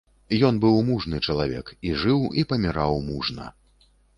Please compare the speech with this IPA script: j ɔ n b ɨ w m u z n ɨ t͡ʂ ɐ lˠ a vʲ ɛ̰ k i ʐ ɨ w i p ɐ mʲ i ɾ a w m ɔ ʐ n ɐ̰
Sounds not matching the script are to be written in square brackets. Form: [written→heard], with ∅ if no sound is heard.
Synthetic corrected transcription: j ɔ n b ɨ w m u [z→ʐ] n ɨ t͡ʂ ɐ lˠ a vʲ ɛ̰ k i ʐ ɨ w i p ɐ mʲ i ɾ a w m [ɔ→u] ʐ n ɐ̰

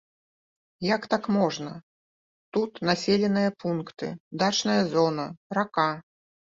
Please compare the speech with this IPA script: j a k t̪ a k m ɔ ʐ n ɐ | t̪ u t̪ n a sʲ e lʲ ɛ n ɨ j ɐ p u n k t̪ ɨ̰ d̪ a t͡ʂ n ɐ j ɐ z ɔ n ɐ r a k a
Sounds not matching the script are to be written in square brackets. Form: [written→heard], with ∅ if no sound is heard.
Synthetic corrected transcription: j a k t̪ a k m ɔ ʐ n ɐ | t̪ u t̪ n a sʲ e lʲ ɛ n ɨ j ɐ p u n k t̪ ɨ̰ d̪ a t͡ʂ n ɐ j ɐ z ɔ n ɐ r a k a

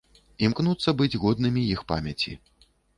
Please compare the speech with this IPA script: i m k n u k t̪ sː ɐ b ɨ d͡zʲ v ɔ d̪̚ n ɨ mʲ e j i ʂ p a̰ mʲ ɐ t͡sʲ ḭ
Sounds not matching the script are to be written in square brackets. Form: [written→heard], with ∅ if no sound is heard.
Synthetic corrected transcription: i m k n u [k→∅] t̪ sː ɐ b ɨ d͡zʲ [v→ɣ] ɔ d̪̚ n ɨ mʲ [e→i] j i [ʂ→x] p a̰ mʲ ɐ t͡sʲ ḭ

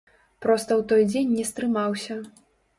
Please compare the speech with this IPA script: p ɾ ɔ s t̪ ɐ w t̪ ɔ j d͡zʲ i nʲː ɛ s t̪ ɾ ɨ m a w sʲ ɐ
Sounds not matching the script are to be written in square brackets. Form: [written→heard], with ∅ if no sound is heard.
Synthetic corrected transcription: p ɾ ɔ s t̪ ɐ w t̪ ɔ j d͡zʲ [i→e] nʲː ɛ s t̪ ɾ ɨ m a w sʲ ɐ

